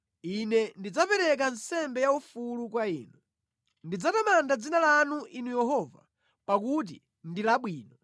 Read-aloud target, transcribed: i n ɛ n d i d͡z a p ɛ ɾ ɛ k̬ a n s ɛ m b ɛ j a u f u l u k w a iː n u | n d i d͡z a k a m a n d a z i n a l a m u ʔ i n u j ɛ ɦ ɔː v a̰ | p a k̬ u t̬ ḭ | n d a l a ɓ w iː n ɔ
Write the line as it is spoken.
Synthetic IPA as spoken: i n ɛ n d i d͡z a p ɛ ɾ ɛ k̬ a n s ɛ m b ɛ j a u f u l u k w a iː n u | n d i d͡z a t a m a n d a d͡z i n a l a n u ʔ i n u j ɛ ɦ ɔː v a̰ | p a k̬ u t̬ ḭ | n d i l a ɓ w iː n ɔ